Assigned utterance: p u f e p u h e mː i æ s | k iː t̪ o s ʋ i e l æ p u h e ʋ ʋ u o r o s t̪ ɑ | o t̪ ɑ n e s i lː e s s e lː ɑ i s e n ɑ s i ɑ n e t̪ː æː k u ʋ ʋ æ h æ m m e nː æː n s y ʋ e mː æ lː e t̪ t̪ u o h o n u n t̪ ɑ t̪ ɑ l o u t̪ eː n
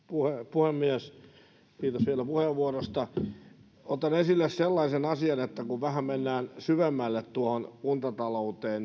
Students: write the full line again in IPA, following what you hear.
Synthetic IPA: p u h e p u h e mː i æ s | k iː t̪ o s ʋ i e l æ p u h e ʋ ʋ u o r o s t̪ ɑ | o t̪ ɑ n e s i lː e s s e lː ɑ i s e n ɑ s i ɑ n e t̪ː æ k u ʋ ʋ æ h æ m m e nː æː n s y ʋ e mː æ lː e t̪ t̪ u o h o n u n t̪ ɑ t̪ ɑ l o u t̪ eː n